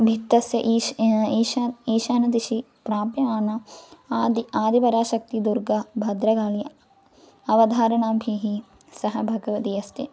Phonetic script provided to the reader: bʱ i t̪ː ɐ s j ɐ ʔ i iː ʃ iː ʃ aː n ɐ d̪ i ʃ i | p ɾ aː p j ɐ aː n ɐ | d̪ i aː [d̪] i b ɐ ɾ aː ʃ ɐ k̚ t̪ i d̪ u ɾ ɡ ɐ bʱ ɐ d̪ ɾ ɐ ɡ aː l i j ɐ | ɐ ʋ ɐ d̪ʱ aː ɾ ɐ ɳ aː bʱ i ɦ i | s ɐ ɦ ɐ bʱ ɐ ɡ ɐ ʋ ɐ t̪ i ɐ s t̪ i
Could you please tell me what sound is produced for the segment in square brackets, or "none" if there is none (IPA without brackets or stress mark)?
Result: d̪